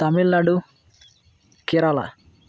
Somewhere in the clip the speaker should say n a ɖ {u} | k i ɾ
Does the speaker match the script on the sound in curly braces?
yes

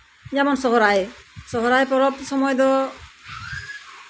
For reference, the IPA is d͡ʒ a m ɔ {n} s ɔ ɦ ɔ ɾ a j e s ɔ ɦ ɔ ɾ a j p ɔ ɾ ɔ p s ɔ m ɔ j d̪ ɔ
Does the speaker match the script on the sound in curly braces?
yes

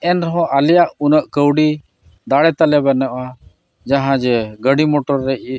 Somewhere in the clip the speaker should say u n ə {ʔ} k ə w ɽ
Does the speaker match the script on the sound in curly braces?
yes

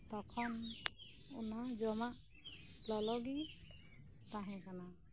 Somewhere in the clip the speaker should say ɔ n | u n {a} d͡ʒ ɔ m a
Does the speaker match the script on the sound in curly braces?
yes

